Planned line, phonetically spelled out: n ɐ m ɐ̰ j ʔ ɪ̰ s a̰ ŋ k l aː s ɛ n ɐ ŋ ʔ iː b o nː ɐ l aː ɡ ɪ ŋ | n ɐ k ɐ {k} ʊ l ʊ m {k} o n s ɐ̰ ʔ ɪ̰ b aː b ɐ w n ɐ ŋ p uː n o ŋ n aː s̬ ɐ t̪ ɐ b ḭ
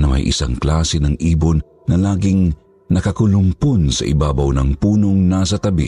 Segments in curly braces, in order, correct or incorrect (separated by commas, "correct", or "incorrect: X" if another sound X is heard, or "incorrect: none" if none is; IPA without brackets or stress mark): correct, incorrect: p